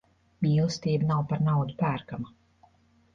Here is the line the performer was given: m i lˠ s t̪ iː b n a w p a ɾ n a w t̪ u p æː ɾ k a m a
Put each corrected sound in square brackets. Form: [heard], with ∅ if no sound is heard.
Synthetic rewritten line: m [iː] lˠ s t̪ iː b n a w p a ɾ n a w [d̪] u p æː ɾ k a m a